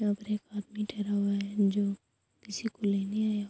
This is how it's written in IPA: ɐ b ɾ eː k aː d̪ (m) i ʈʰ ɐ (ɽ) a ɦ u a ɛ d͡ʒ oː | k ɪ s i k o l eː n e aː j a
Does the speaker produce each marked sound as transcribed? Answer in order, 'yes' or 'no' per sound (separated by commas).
yes, no